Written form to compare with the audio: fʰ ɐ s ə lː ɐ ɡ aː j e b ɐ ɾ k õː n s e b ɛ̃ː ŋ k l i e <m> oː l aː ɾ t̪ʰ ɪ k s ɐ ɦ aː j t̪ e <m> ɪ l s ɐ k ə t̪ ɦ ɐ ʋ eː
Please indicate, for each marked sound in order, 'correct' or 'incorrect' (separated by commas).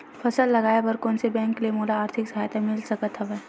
correct, correct